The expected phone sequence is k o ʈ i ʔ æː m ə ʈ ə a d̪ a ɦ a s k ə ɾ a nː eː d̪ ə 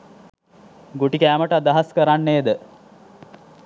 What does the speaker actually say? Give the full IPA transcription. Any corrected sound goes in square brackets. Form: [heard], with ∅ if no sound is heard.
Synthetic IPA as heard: [ɡ] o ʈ i [k] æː m ə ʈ ə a d̪ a ɦ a s k ə ɾ a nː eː d̪ ə

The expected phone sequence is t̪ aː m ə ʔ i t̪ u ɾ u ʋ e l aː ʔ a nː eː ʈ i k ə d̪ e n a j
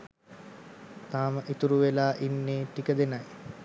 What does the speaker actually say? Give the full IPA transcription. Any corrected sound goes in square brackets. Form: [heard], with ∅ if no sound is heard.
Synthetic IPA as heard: t̪ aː m ə ʔ i t̪ u ɾ u ʋ e l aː ʔ [i] nː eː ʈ i k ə d̪ e n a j

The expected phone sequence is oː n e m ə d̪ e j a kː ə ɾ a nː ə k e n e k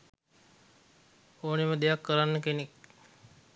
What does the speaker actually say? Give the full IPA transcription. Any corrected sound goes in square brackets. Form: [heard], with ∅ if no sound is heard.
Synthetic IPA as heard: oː n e m ə d̪ e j a kː ə ɾ a nː ə k e n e k

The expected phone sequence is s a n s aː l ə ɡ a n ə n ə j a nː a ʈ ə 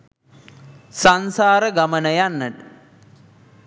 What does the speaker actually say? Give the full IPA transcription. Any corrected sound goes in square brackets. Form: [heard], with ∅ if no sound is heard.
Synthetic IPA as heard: s a n s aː [ɾ] ə ɡ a [m] ə n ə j a nː [ə] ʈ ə

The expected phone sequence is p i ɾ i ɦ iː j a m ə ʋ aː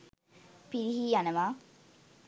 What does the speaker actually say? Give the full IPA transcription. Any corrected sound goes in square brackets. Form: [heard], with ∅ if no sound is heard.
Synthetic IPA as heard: p i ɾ i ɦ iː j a [n] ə ʋ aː

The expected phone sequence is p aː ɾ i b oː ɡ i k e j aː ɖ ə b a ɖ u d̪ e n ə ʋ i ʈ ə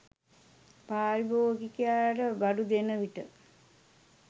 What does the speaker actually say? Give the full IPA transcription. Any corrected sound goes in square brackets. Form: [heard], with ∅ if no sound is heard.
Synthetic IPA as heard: p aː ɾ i b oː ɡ i k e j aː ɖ ə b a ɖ u d̪ e n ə ʋ i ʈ ə

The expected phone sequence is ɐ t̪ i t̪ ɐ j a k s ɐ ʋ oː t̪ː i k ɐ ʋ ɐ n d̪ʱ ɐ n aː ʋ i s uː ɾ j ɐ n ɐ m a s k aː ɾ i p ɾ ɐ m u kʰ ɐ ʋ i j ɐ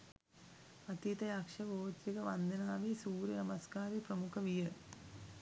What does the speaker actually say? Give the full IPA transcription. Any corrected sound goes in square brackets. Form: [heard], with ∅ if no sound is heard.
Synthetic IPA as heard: ɐ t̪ i t̪ ɐ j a k [ʂ] ɐ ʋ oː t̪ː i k ɐ ʋ ɐ n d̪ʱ ɐ n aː ʋ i s uː ɾ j ɐ n ɐ m [ɐ] s k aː ɾ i p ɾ ɐ m u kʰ ɐ ʋ i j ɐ

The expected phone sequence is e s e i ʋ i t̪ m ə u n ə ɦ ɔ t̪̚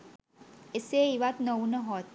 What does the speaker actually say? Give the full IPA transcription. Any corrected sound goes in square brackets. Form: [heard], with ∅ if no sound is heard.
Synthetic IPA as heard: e s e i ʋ [a] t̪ [n] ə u n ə ɦ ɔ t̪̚

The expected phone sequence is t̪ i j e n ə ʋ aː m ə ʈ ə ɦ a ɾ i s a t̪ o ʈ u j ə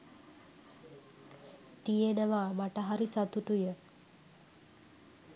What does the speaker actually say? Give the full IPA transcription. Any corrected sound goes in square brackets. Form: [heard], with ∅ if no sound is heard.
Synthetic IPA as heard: t̪ i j e n ə ʋ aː m [a] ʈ ə ɦ a ɾ i s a t̪ [u] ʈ u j ə

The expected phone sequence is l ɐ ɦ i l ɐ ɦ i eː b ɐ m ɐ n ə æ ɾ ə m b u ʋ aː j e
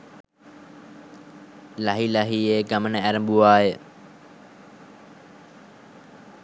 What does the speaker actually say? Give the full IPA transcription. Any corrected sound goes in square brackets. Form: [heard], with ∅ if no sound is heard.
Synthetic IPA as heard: l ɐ ɦ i l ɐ ɦ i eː [ɡ] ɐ m [ə] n ə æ ɾ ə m b u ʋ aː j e

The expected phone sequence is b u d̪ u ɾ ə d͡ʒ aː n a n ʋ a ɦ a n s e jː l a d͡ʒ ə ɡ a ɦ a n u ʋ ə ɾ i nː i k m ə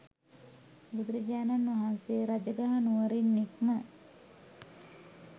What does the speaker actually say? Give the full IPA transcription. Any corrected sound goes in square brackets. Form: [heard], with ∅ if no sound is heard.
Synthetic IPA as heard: b u d̪ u ɾ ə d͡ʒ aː n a n ʋ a ɦ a n s e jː [ɾ] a d͡ʒ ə ɡ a ɦ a n u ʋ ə ɾ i nː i k m ə

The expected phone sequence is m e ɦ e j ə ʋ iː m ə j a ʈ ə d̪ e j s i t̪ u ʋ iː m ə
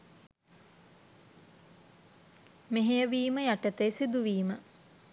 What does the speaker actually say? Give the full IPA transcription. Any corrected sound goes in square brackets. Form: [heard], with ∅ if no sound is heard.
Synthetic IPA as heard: m e ɦ e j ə ʋ iː m ə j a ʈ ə [t̪] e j s i [d̪] u ʋ iː m ə

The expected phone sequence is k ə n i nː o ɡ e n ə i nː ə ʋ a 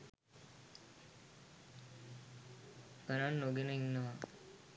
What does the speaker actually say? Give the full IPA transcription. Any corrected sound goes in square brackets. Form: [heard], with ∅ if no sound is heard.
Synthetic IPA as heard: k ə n [a] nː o ɡ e n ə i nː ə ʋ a

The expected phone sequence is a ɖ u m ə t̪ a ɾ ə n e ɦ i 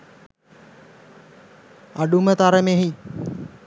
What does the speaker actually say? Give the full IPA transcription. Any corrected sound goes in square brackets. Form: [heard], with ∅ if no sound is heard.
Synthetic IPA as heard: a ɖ u m ə t̪ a ɾ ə [m] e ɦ i

